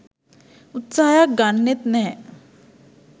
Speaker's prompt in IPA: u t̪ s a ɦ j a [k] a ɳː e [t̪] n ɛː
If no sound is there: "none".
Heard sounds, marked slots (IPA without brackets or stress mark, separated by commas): ɡ, t̪